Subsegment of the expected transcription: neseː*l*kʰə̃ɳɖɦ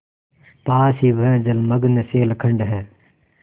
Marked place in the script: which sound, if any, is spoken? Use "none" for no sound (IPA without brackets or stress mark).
l